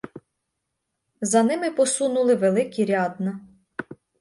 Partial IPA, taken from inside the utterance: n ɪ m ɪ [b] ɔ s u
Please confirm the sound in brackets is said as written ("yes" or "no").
no